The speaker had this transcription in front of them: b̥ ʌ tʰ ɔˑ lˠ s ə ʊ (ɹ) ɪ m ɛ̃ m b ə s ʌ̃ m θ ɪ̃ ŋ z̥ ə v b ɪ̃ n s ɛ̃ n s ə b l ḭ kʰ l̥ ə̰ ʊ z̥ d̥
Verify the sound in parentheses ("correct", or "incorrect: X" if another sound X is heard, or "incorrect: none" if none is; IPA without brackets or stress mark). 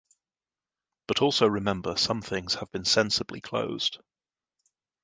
correct